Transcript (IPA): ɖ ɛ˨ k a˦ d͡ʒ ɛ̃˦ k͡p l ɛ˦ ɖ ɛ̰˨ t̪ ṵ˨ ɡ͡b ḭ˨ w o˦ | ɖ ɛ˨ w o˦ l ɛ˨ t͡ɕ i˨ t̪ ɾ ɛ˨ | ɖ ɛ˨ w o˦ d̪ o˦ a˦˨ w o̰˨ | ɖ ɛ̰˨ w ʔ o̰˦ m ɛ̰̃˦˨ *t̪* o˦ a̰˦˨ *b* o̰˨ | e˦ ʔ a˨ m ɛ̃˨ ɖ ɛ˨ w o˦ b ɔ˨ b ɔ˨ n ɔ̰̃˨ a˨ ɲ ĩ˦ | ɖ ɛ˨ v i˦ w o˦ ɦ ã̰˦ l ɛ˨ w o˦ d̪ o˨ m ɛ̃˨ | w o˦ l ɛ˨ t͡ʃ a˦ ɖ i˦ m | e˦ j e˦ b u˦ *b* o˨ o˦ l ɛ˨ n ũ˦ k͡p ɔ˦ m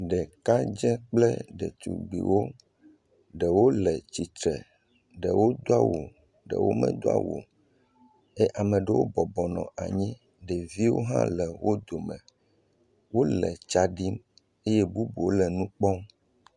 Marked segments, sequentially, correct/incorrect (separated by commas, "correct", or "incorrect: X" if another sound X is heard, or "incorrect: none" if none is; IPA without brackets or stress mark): incorrect: d̪, incorrect: w, correct